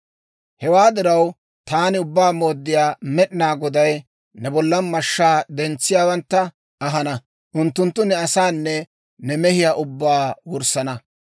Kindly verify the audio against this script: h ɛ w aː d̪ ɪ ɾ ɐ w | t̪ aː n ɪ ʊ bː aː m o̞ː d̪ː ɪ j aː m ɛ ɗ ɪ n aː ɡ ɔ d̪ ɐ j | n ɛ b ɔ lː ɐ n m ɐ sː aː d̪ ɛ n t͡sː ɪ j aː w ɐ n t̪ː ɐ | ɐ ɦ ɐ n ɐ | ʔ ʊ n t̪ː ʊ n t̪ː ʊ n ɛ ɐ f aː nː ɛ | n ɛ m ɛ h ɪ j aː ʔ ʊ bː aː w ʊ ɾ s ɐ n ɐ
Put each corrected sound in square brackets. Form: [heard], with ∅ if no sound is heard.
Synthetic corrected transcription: h ɛ w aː d̪ ɪ ɾ ɐ w | t̪ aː n ɪ ʊ bː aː m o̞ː d̪ː ɪ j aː m ɛ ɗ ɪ n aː ɡ ɔ d̪ ɐ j | n ɛ b ɔ lː ɐ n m ɐ [ʃː] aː d̪ ɛ n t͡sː ɪ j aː w ɐ n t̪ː ɐ | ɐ ɦ ɐ n ɐ | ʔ ʊ n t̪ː ʊ n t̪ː ʊ n ɛ ɐ [s] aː nː ɛ | n ɛ m ɛ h ɪ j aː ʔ ʊ bː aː w ʊ ɾ s ɐ n ɐ